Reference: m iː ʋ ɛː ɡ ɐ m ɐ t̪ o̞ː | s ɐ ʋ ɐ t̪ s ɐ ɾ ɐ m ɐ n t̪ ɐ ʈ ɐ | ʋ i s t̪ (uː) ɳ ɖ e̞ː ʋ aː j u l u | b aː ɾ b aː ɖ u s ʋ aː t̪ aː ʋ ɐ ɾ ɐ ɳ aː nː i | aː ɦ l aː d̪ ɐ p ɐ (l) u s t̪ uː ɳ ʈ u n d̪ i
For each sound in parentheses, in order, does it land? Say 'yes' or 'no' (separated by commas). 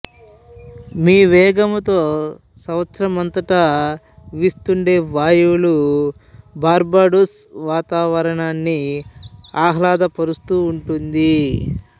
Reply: no, no